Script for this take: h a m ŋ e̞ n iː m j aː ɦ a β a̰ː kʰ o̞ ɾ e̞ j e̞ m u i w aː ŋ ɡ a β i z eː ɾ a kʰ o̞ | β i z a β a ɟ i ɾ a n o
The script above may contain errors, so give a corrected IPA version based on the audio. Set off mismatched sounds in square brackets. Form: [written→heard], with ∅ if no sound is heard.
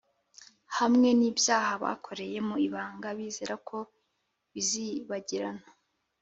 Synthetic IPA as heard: h a m ŋ e̞ n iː [m→b] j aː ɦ a β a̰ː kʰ o̞ ɾ e̞ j e̞ m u i [w→β] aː ŋ ɡ a β i z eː ɾ a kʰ o̞ | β i z [a→i] β a ɟ i ɾ a n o